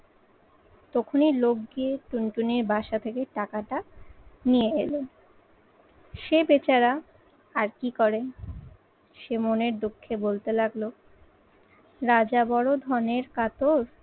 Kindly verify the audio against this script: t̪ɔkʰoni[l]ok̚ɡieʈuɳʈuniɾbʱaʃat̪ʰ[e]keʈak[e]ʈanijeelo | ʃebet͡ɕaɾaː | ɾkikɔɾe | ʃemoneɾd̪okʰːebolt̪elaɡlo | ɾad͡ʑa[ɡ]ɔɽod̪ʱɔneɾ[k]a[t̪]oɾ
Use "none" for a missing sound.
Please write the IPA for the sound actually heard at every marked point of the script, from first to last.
l, e, a, b, k, t̪

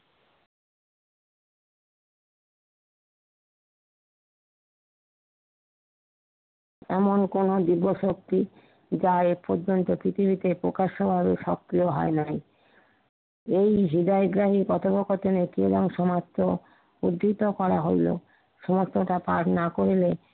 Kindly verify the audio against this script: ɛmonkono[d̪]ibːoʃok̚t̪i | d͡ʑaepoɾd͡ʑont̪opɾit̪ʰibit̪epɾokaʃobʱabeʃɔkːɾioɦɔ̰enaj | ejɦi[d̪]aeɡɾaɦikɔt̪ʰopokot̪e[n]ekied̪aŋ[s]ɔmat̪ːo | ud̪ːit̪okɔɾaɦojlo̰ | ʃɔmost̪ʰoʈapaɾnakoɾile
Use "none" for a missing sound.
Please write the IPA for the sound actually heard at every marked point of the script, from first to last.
d̪, d̪, n, ʃ

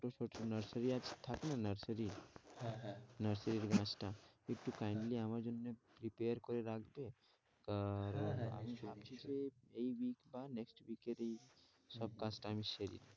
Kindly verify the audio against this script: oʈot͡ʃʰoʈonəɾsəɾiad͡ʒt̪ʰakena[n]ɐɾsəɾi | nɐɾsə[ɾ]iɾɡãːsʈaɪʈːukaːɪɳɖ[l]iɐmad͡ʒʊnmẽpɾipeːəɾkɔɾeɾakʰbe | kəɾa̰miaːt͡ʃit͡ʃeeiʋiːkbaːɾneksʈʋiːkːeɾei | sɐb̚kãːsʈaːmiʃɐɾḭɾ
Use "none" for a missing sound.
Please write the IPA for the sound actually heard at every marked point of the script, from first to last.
n, ɾ, l

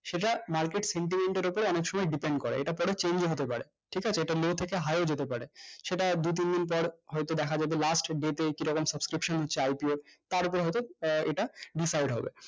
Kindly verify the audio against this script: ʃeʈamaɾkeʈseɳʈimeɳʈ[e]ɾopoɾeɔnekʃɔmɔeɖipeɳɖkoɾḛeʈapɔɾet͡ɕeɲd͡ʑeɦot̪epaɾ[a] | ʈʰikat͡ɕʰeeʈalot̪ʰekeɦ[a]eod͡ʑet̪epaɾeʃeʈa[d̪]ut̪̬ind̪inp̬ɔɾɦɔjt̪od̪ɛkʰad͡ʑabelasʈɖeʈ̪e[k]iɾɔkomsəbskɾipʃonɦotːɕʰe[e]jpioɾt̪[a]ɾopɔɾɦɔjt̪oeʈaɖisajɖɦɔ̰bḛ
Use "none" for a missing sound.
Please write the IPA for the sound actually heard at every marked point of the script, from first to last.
e, e, a, d̪, k, a, a

